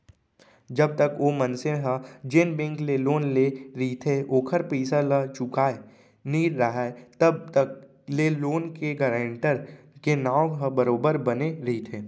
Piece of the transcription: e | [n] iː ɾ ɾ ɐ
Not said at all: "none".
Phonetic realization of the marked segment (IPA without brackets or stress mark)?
n